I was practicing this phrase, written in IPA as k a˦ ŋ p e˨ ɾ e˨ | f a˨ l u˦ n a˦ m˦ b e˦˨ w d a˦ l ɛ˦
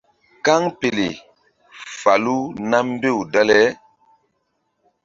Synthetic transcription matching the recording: k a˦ ŋ p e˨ l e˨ | f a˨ l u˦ n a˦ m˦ b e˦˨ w d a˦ l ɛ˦